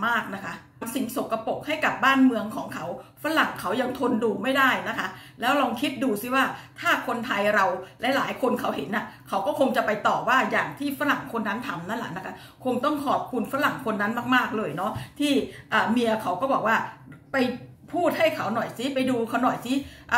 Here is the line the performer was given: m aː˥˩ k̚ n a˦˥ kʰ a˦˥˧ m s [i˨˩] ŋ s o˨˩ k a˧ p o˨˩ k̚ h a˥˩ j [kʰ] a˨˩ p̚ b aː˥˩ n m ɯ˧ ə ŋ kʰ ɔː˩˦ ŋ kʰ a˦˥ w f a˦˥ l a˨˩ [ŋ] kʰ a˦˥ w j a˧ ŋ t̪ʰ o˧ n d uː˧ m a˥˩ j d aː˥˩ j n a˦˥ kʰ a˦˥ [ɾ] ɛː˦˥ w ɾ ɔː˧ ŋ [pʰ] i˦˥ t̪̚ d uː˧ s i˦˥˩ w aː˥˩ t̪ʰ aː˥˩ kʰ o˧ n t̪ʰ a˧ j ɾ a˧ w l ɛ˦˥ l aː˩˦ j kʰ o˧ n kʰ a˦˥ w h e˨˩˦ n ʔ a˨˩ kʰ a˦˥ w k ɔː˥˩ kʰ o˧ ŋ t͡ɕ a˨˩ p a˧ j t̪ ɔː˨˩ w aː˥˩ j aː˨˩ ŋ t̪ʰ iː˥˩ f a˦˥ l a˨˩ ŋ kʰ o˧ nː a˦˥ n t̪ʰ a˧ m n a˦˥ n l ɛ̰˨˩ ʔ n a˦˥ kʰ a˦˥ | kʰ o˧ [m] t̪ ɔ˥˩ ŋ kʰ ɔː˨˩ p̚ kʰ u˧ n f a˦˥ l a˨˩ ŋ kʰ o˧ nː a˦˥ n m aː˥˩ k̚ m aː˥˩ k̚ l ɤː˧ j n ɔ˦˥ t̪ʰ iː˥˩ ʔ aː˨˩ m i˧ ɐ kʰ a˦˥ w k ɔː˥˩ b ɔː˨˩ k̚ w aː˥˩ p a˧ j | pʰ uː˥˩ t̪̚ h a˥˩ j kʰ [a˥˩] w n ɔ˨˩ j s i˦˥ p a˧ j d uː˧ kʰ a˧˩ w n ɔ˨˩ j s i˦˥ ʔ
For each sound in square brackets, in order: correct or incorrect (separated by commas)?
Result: correct, incorrect, correct, incorrect, incorrect, incorrect, incorrect